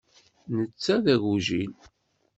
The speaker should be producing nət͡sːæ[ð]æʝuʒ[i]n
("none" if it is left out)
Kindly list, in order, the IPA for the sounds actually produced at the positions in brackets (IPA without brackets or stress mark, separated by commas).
ð, i